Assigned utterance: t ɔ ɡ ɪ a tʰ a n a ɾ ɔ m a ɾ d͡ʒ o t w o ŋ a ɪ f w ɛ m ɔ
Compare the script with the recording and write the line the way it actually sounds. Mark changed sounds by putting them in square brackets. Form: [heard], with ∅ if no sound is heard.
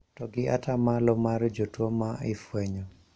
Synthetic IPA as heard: t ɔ ɡ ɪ a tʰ a [m] a [l] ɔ m a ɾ d͡ʒ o t w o [m] a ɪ f w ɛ [ɲ] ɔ